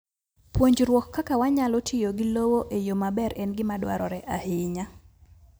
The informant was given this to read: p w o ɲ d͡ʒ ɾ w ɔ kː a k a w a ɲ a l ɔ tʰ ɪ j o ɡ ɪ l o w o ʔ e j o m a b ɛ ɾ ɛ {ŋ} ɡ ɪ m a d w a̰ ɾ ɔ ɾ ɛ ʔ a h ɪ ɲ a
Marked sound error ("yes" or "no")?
yes